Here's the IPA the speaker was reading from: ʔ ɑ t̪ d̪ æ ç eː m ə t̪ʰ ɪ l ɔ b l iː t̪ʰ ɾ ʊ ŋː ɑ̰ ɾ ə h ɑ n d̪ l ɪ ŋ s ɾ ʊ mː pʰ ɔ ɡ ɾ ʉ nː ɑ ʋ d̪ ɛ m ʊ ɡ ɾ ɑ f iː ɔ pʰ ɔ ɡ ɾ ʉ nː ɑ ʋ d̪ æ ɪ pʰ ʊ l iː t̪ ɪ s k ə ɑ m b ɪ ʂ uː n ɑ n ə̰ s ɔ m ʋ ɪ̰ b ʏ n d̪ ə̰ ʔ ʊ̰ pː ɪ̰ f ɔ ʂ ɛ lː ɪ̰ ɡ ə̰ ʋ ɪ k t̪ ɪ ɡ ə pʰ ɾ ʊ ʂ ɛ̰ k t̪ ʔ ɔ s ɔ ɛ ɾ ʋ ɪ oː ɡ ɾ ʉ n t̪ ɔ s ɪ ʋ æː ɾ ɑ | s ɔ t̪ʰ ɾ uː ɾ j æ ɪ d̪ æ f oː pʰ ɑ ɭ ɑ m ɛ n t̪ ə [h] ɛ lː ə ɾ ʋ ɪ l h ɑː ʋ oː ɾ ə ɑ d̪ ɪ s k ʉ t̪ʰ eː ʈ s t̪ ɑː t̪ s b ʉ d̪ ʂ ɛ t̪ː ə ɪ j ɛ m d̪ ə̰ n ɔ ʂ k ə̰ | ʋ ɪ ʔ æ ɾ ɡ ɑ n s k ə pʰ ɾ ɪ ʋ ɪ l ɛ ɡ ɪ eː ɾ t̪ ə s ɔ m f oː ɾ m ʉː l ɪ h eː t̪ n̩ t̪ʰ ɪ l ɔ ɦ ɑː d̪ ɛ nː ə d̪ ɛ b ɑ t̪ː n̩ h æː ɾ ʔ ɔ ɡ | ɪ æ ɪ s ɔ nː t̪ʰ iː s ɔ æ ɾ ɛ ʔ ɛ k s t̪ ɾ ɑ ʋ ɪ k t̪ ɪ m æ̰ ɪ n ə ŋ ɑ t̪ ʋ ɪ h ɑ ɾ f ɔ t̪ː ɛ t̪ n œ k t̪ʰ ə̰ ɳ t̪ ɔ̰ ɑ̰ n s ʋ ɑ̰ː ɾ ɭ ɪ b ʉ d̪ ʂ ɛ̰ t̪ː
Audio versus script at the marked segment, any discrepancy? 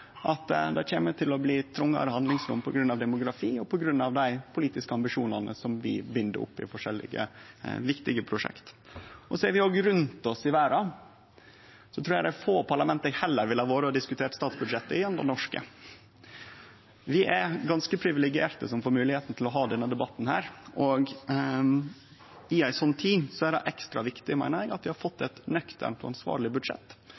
no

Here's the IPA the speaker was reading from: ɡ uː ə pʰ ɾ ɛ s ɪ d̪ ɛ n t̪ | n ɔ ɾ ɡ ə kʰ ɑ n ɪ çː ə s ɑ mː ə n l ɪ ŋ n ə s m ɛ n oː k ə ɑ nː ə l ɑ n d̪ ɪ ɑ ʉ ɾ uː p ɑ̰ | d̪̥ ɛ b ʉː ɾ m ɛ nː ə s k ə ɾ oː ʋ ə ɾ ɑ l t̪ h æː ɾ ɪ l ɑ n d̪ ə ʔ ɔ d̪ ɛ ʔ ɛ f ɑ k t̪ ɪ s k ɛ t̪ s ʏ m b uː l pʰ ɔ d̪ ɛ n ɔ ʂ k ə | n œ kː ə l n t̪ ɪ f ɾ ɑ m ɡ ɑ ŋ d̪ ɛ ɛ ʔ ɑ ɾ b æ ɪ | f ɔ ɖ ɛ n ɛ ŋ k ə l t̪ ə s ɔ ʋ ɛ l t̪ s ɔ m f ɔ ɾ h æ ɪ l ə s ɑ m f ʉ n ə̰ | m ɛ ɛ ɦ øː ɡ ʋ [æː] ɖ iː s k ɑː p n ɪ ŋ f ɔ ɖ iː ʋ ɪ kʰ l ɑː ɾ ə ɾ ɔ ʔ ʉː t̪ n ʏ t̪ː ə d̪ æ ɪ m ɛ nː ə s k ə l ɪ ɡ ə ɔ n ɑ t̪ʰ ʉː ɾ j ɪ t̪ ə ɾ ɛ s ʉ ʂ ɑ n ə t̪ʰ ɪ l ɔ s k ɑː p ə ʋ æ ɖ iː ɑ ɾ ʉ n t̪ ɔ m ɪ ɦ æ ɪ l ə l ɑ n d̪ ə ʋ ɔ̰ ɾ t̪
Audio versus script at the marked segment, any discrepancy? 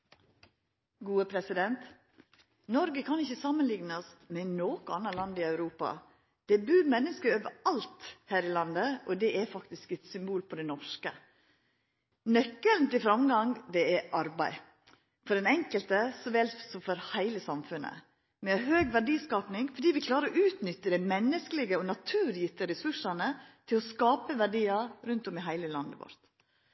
yes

